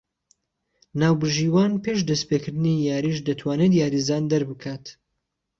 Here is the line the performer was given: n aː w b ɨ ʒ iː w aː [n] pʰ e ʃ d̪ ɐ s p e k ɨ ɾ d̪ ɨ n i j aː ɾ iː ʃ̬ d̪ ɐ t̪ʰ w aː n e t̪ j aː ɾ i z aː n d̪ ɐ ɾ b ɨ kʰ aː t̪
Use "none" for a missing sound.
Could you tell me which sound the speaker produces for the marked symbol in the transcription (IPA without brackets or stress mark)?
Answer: n